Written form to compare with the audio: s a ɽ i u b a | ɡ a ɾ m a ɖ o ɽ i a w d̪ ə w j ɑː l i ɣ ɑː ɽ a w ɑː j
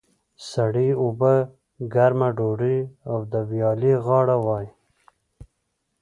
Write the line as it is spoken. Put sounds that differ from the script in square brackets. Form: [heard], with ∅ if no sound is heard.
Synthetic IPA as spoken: s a ɽ i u b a | ɡ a ɾ m a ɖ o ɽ i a w d̪ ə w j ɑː l i ɣ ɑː ɽ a w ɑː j